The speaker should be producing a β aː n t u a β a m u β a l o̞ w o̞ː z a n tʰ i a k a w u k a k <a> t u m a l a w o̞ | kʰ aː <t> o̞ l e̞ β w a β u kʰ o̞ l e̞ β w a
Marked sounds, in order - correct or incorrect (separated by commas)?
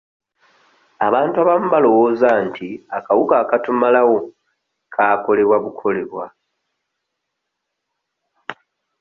correct, incorrect